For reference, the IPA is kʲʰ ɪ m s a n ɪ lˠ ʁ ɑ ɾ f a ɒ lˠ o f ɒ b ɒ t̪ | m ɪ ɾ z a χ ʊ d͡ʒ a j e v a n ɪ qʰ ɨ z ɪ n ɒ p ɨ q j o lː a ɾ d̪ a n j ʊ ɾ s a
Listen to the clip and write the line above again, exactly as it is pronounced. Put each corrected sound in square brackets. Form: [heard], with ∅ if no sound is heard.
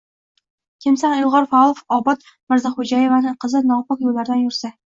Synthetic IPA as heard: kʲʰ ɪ m s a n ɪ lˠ ʁ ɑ ɾ f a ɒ lˠ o f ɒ b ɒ t̪ | m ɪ ɾ z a χ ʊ d͡ʒ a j e v a n ɪ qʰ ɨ z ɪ n ɒ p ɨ q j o lː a ɾ d̪ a n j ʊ ɾ s a